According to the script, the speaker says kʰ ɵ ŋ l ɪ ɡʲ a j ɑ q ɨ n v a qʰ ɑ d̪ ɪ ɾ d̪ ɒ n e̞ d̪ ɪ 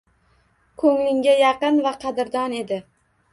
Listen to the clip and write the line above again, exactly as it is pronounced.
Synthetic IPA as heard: kʰ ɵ ŋ l ɪ ŋʲ a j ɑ q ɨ n v a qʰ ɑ d̪ ɪ ɾ d̪ ɒ n e̞ d̪ ɪ